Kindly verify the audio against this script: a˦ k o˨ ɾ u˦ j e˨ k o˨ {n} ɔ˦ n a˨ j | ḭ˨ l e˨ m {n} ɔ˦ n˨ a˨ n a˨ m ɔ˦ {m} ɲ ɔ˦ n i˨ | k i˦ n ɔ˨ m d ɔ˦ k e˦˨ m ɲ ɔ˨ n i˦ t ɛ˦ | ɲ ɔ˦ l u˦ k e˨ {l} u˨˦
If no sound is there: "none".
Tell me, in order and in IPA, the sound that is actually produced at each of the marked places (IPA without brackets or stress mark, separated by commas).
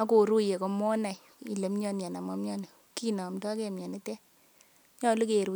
m, ɲ, m, ɾ